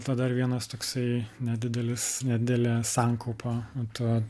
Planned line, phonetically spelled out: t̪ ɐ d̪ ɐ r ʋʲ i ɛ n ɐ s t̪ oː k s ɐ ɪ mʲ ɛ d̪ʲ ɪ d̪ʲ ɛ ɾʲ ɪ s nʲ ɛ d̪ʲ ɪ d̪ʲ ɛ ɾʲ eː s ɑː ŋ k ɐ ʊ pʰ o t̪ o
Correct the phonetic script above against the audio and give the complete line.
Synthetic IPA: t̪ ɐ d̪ ɐ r ʋʲ i ɛ n ɐ s t̪ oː k s ɐ ɪ nʲ ɛ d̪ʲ ɪ d̪ʲ ɛ lʲ ɪ s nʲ ɛ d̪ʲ ɪ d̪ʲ ɛ lʲ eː s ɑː ŋ k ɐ ʊ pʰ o t̪ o